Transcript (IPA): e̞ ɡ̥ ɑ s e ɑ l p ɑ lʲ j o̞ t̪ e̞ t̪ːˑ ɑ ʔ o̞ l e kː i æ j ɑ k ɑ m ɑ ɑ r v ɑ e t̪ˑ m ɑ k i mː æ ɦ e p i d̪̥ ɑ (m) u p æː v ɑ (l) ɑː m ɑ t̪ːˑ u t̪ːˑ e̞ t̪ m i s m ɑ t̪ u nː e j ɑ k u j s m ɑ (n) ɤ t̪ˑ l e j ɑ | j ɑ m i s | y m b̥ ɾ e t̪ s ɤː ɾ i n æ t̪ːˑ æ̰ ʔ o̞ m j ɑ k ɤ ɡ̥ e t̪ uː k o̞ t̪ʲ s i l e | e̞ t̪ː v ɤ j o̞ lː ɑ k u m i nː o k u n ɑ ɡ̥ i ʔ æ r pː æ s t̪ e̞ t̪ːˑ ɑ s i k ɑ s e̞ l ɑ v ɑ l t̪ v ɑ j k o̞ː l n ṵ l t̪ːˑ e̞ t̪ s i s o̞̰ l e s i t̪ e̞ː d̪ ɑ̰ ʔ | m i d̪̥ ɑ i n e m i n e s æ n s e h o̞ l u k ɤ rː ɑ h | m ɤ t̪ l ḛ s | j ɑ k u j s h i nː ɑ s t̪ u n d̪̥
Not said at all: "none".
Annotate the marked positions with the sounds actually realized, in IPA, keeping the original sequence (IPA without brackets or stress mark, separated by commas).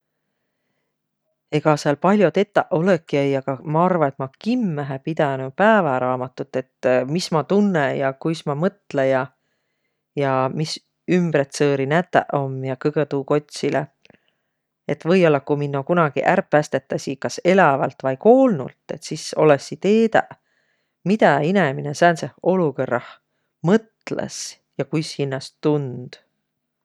n, ɾ, m